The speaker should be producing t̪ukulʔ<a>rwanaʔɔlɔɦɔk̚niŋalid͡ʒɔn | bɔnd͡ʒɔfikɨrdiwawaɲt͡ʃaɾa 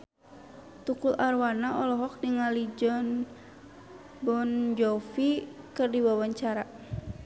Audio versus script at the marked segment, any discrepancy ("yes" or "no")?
no